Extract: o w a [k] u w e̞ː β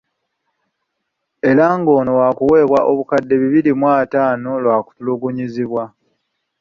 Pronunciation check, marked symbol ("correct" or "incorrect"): correct